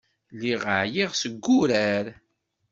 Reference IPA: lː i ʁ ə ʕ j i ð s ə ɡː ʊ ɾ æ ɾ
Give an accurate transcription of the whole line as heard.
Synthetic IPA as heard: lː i ʁ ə ʕ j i ʁ s ə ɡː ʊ ɾ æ ɾ